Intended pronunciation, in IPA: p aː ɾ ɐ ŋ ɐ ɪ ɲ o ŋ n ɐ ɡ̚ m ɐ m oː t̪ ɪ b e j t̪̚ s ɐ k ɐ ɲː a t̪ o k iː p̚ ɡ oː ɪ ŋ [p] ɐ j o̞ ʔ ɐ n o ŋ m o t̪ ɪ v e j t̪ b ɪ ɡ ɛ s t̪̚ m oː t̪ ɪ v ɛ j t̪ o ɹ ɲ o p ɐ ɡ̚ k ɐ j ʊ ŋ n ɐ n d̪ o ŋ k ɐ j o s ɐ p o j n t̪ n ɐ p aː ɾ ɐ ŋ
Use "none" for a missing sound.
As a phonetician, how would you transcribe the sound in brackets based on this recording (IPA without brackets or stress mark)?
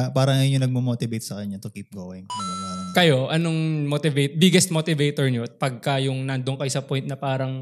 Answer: k